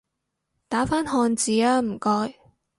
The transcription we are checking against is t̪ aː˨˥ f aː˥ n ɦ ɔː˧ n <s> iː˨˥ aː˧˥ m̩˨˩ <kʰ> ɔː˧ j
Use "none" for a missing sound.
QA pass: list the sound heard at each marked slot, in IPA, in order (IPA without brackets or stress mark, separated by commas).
t͡s, k